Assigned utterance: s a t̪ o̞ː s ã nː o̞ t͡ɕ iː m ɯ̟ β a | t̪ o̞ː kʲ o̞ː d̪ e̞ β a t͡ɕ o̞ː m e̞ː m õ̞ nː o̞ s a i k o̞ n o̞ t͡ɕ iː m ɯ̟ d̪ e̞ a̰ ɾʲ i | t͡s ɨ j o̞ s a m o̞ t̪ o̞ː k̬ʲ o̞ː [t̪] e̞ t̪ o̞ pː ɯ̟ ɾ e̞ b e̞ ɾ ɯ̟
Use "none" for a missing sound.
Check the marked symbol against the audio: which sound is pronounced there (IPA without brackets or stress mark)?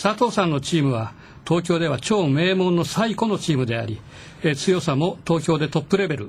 d̪